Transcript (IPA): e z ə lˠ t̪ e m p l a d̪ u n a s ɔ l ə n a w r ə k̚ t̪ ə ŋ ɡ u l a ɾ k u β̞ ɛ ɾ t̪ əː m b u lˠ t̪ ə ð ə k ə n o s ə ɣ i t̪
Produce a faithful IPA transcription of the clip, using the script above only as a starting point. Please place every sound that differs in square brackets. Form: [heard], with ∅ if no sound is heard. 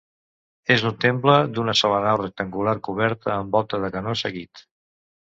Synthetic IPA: e z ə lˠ t̪ e m p l [ə] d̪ u n [ə] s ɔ l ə n a w r ə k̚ t̪ ə ŋ ɡ u l a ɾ k u β̞ ɛ ɾ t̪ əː m b [ɔ] lˠ t̪ ə ð ə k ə n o s ə ɣ i t̪